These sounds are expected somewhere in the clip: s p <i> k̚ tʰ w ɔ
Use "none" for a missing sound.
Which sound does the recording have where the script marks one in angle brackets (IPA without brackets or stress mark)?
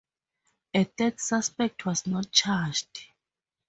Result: ɛ